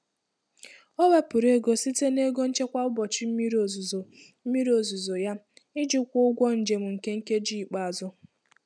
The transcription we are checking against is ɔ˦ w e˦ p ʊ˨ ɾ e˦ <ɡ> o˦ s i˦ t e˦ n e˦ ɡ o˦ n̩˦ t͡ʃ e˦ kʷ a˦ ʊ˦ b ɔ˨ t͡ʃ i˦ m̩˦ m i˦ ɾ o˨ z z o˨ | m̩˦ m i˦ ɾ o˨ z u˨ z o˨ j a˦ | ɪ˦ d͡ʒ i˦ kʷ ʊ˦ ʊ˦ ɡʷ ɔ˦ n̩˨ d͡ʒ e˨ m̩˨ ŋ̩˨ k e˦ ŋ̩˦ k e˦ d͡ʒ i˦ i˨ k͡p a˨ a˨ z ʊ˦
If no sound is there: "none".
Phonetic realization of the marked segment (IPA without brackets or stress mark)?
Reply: ɡ